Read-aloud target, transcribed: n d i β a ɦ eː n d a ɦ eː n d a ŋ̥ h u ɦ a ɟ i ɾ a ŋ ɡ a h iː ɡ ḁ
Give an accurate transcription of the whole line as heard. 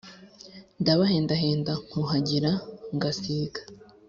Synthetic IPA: n d a β a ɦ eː n d a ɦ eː n d a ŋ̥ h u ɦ a ɟ i ɾ a ŋ ɡ a s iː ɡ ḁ

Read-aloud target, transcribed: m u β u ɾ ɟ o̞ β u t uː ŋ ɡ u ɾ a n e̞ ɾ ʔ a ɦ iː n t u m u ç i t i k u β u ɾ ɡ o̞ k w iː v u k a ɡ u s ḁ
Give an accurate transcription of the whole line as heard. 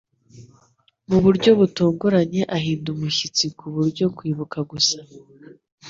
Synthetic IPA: m u β u ɾ ɟ o̞ β u t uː ŋ ɡ u ɾ a ɲ e̞ ʔ a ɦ iː n d u m u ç i t͡s i k u β u ɾ ɟ o̞ k w iː β u k a ɡ u s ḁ

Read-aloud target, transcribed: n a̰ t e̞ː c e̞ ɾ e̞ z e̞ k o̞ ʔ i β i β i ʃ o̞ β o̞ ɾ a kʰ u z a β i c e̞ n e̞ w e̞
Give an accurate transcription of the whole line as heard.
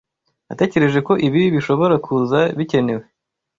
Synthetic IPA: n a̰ t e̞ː c e̞ ɾ e̞ ʒ e̞ k o̞ ʔ i β i β i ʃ o̞ β o̞ ɾ a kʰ u z a β i c e̞ n e̞ w e̞

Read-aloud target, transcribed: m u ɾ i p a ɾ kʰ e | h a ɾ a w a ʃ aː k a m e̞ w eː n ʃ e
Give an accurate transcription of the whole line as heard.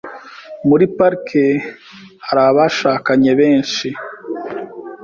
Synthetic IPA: m u ɾ i p a ɾ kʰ e | h a ɾ a β a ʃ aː k a ɲ e̞ β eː n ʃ i

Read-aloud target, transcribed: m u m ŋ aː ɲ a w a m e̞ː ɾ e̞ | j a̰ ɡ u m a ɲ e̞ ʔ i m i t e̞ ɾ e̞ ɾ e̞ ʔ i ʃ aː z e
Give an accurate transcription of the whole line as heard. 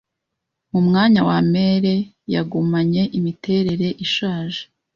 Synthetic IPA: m u m ŋ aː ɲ a w a m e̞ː ɾ e̞ | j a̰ ɡ u m a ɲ e̞ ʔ i m i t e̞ ɾ e̞ ɾ e̞ ʔ i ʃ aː ʒ e

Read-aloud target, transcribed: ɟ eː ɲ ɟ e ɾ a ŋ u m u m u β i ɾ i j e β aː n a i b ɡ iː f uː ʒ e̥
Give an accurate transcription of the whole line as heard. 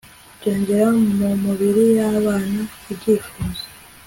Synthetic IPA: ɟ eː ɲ ɟ e ɾ a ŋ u m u m u β i ɾ i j a β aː n a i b ɟ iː f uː z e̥

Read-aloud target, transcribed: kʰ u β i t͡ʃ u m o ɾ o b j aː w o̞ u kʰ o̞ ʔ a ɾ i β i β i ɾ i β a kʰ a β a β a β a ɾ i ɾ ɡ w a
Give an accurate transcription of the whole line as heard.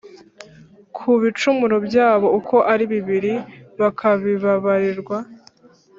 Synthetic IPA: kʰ u β i t͡ʃ u m u ɾ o b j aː β o̞ u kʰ o̞ ʔ a ɾ i β i β i ɾ i β a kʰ a β i β a β a ɾ i ɾ ɡ w a

